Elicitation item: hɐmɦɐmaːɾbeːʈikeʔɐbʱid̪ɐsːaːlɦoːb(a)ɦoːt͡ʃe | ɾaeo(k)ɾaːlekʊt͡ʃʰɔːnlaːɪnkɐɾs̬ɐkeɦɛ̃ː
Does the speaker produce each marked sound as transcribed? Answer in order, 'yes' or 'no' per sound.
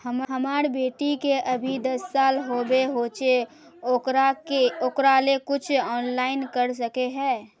no, yes

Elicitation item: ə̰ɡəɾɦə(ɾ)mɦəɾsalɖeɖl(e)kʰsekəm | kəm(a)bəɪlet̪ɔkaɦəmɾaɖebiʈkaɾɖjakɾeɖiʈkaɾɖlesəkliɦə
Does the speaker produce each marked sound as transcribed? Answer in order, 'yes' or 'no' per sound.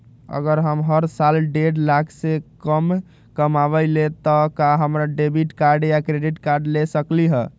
no, no, yes

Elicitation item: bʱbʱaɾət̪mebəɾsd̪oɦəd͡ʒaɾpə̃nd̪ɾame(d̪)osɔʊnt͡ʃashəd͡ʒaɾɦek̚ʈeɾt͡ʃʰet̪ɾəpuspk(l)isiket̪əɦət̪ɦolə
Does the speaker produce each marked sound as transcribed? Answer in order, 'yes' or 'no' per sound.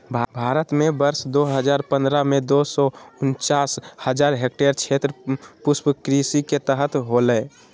yes, no

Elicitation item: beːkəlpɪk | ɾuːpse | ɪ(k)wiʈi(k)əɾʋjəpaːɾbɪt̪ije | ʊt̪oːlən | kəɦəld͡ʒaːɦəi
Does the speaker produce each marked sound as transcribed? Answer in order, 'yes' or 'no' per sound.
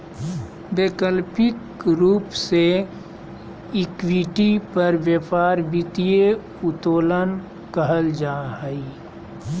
yes, no

